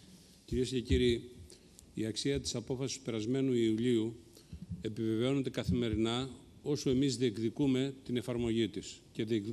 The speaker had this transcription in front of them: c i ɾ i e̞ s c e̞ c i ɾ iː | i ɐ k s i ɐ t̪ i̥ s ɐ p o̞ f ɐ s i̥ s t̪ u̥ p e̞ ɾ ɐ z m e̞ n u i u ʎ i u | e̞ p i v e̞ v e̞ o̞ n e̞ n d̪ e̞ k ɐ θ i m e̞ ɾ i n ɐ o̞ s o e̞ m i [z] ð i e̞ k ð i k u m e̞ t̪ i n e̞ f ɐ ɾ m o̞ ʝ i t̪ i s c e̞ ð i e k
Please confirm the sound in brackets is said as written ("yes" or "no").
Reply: yes